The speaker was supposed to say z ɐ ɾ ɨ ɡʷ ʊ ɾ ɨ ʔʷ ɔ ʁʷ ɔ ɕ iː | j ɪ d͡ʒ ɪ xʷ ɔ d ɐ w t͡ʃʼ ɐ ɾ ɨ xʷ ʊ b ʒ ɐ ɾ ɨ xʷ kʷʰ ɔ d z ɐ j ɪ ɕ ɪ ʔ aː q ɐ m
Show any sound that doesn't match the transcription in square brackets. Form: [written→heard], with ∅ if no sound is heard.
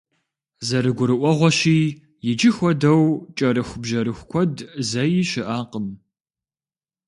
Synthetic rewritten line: z ɐ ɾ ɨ ɡʷ ʊ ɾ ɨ ʔʷ ɔ ʁʷ ɔ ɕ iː | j ɪ d͡ʒ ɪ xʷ ɔ d ɐ w t͡ʃʼ ɐ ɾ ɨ xʷ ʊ b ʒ ɐ ɾ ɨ xʷ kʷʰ ɔ d z ɐ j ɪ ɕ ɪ ʔ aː q [ɐ→ə] m